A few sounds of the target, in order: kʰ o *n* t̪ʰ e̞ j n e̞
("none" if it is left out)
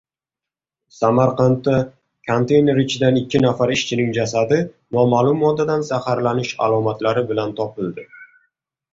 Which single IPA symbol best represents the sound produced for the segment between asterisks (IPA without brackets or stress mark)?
n